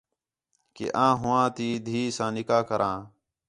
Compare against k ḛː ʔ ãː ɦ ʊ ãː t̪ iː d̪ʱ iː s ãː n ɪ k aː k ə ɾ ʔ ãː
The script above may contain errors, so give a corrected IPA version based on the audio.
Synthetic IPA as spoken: k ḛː ʔ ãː ɦ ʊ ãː t̪ iː d̪ʱ iː s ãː n ɪ k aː k ə ɾ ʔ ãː